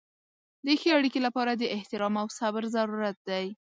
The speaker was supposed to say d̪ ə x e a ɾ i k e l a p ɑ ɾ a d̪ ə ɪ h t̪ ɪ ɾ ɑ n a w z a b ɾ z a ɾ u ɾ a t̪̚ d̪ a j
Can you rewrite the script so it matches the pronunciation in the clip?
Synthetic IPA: d̪ ə x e a ɽ i k e l a p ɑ ɾ a d̪ ə ɪ h t̪ ɪ ɾ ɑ m a w s a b ɾ z a ɾ u ɾ a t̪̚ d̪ a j